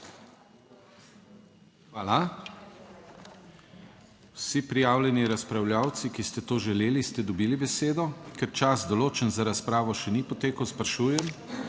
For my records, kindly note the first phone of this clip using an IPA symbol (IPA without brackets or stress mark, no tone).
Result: x